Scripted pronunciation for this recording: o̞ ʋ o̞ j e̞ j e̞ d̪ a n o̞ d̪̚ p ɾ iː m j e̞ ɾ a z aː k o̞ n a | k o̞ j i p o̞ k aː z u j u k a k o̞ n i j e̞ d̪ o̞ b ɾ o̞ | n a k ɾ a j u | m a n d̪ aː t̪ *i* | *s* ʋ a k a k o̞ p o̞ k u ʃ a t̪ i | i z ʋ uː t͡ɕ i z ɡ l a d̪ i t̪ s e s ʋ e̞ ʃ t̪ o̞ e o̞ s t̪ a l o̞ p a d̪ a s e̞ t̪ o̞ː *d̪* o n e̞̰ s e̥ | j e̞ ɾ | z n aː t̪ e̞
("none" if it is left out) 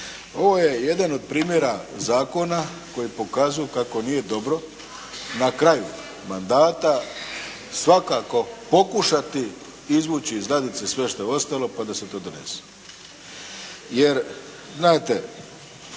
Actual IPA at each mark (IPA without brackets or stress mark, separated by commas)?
a, s, d̪